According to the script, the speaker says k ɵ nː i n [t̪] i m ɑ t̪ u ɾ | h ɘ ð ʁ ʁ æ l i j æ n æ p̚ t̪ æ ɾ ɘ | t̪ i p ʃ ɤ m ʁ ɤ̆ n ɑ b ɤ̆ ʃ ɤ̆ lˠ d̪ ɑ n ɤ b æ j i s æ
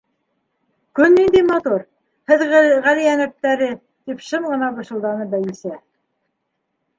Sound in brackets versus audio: incorrect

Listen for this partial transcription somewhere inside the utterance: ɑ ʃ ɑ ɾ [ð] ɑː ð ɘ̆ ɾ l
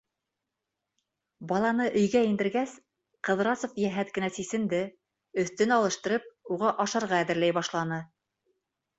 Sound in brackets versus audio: incorrect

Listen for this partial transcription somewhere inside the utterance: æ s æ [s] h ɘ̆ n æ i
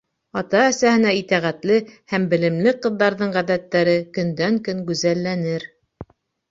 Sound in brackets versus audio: incorrect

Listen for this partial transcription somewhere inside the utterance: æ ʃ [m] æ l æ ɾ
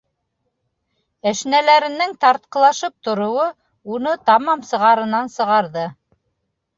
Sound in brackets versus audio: incorrect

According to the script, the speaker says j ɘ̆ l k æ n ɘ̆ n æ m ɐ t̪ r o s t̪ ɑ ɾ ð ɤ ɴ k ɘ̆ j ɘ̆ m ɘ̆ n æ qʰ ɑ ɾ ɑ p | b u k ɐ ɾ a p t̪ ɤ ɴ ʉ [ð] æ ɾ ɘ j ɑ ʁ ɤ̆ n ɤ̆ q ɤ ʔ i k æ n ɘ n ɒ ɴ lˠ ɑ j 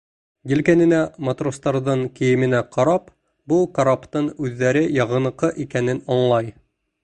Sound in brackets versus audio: incorrect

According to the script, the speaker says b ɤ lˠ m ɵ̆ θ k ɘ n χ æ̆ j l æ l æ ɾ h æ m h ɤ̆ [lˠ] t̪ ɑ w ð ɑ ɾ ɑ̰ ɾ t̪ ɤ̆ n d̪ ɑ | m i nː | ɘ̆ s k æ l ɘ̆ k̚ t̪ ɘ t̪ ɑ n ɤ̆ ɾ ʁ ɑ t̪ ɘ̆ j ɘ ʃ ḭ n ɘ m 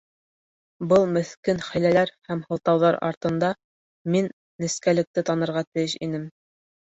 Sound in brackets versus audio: correct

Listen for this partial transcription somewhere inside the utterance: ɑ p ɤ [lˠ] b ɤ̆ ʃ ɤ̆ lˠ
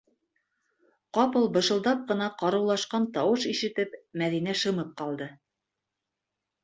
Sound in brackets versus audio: correct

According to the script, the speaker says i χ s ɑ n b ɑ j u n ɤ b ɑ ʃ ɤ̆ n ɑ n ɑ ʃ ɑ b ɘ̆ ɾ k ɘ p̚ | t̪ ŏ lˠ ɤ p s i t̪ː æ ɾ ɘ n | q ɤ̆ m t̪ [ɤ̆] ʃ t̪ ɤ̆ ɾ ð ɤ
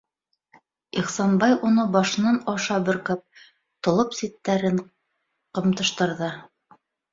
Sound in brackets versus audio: correct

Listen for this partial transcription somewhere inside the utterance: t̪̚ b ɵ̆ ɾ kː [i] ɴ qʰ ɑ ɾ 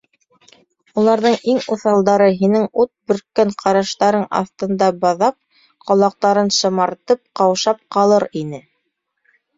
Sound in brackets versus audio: incorrect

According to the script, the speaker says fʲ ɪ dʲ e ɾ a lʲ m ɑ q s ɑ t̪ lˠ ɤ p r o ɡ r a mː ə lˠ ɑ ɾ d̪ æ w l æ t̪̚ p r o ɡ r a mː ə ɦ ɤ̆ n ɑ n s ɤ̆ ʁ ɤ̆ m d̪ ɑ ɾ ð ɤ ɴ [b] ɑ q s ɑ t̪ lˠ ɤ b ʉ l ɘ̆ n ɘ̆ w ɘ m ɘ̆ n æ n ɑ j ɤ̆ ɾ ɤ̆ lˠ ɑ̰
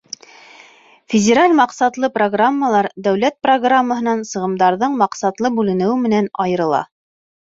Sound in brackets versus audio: incorrect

